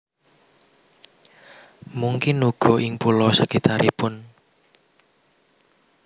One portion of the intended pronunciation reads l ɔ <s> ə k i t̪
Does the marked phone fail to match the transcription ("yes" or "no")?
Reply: no